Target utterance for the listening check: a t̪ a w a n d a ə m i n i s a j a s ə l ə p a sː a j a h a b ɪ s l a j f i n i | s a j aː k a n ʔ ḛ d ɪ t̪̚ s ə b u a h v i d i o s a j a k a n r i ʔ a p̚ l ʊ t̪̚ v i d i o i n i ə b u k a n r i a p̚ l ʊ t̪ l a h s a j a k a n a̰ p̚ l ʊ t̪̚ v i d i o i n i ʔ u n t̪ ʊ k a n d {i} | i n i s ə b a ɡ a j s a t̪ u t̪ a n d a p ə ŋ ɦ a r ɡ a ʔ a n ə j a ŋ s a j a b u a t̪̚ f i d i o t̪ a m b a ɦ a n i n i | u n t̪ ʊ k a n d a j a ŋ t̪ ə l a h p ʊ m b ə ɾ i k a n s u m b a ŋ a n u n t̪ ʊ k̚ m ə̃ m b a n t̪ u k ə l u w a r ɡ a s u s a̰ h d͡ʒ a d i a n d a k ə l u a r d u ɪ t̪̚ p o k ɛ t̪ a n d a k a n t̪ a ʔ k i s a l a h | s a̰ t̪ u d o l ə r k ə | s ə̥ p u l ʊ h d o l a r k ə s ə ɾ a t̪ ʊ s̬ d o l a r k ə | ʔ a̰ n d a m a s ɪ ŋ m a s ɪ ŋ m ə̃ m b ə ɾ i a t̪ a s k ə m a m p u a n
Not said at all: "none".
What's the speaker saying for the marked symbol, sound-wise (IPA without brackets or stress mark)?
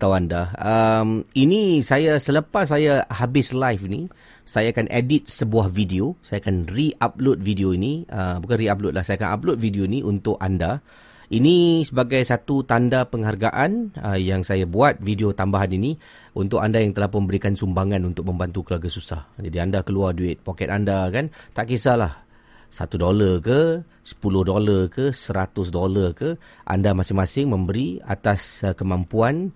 a